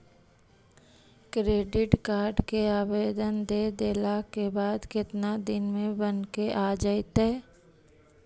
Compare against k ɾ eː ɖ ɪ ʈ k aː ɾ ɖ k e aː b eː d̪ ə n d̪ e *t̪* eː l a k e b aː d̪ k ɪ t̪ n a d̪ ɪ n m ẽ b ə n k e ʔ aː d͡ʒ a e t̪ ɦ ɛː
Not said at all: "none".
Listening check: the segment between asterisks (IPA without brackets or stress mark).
d̪